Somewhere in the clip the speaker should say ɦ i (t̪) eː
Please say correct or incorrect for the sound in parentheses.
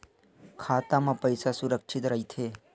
incorrect: t̪ʰ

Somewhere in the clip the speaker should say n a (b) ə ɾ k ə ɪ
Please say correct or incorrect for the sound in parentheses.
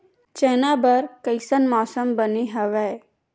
correct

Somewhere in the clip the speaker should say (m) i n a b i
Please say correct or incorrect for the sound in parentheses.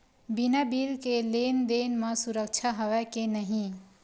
incorrect: b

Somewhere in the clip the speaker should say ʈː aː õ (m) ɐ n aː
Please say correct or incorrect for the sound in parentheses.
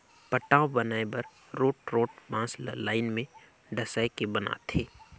incorrect: b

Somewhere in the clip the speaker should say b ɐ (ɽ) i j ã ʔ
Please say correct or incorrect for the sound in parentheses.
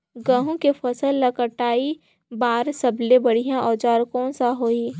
correct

